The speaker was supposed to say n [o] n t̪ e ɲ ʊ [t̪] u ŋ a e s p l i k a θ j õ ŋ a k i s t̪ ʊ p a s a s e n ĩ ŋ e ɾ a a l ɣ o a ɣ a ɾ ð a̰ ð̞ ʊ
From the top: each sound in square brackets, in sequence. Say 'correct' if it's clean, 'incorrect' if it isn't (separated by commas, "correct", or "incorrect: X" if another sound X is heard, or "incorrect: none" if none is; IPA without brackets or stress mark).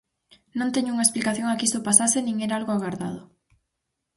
incorrect: õ, incorrect: none